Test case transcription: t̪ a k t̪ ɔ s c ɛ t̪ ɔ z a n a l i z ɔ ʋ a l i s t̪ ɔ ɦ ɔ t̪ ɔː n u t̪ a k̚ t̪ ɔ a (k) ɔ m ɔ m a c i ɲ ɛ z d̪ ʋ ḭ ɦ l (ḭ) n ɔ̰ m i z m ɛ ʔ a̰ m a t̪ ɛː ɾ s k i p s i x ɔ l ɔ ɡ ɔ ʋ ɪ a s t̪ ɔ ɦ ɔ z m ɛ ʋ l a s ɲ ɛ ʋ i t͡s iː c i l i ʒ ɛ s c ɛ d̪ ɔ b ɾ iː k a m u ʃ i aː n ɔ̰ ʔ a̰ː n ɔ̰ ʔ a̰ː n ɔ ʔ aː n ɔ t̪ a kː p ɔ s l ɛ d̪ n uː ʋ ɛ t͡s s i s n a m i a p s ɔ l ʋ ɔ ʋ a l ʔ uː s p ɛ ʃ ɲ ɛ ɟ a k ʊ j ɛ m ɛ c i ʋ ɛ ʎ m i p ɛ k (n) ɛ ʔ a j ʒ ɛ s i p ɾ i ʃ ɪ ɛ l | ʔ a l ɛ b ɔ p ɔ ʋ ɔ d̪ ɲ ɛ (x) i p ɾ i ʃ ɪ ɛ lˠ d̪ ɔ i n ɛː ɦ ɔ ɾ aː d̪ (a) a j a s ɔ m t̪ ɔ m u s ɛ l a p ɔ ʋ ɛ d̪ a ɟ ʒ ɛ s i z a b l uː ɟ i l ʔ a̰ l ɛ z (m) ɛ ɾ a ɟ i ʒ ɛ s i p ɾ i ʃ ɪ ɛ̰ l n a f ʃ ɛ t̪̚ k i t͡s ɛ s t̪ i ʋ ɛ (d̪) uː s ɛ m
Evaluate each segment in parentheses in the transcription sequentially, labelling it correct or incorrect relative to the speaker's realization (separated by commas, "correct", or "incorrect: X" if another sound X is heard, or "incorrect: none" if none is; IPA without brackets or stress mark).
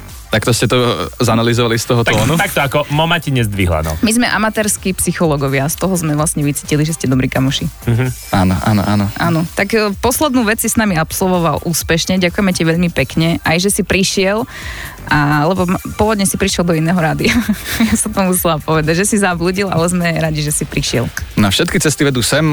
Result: correct, incorrect: a̰, incorrect: ɲ, incorrect: s, incorrect: i, correct, correct